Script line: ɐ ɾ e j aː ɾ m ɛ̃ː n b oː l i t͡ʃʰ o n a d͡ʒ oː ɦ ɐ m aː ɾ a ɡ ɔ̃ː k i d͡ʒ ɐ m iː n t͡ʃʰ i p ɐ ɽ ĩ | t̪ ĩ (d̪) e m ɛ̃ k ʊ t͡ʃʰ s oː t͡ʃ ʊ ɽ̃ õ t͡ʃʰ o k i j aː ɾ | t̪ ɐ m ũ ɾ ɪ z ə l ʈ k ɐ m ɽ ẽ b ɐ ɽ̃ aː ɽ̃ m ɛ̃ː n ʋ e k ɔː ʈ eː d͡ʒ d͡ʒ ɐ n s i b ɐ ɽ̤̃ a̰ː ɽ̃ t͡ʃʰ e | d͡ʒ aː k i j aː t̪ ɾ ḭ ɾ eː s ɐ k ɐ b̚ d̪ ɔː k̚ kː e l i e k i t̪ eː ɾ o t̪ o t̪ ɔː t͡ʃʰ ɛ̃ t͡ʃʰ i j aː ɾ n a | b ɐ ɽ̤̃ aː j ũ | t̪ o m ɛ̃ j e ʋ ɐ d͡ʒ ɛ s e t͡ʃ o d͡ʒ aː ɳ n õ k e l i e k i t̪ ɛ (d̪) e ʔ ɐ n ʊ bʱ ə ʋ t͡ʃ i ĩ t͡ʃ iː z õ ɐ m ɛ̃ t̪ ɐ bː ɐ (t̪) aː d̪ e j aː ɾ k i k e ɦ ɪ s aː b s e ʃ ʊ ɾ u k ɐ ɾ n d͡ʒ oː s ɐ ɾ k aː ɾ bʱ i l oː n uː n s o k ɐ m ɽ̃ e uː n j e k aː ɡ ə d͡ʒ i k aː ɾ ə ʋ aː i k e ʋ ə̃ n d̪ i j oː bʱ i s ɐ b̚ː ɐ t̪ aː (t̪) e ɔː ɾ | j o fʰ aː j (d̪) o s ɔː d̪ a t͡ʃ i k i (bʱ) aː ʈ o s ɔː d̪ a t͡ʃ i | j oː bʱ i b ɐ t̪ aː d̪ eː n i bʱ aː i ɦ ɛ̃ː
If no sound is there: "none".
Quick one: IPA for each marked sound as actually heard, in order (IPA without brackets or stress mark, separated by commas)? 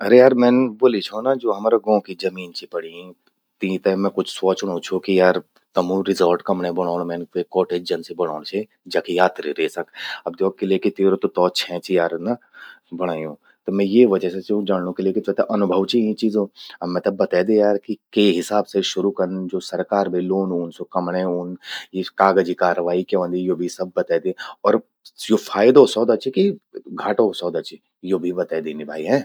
t̪, t̪, t̪, d̪, d̪, ɡʱ